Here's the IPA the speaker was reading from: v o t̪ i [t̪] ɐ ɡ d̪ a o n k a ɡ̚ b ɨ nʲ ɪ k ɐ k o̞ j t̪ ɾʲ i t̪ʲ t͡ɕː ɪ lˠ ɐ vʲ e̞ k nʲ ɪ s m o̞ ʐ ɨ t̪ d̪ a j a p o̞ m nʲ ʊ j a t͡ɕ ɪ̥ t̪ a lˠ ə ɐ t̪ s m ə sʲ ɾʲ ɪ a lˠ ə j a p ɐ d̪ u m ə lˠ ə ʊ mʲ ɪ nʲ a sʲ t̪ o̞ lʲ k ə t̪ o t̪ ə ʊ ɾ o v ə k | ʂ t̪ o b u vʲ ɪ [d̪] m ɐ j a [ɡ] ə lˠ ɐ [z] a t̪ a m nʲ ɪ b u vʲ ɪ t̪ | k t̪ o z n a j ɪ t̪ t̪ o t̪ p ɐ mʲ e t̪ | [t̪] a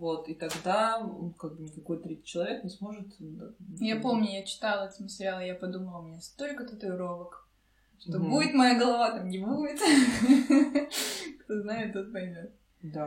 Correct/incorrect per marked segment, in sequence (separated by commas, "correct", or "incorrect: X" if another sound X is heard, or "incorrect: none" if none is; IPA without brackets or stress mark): correct, incorrect: t̪, correct, incorrect: v, incorrect: d̪